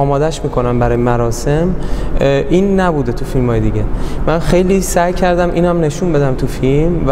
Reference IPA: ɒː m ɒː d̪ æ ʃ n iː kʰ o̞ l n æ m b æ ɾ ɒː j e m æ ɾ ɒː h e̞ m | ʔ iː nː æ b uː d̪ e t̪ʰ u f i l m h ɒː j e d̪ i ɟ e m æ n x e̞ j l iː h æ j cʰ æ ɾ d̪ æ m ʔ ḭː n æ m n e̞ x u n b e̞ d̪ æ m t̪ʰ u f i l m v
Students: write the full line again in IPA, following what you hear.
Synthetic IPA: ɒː m ɒː d̪ æ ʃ m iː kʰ o̞ n æ m b æ ɾ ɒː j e m æ ɾ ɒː s e̞ m | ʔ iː nː æ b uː d̪ e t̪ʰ u f i l m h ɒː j e d̪ i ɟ e m æ n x e̞ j l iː s æ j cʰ æ ɾ d̪ æ m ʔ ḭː n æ m n e̞ ʃ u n b e̞ d̪ æ m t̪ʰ u f i l m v